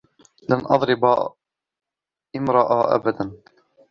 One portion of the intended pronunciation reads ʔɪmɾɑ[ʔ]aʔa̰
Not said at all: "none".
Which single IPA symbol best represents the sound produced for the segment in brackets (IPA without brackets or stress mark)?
ʔ